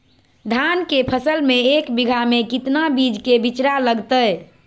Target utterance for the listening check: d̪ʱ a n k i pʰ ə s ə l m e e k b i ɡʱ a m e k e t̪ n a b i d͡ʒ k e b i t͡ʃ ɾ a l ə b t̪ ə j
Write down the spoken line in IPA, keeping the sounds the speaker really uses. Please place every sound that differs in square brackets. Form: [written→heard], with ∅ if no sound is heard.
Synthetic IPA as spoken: d̪ʱ a n k [i→e] pʰ ə s ə l m e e k b i ɡʱ a m e k [e→i] t̪ n a b i d͡ʒ k e b i t͡ʃ ɾ a l ə [b→ɡ] t̪ ə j